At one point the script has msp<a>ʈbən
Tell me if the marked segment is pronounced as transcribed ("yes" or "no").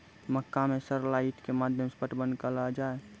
no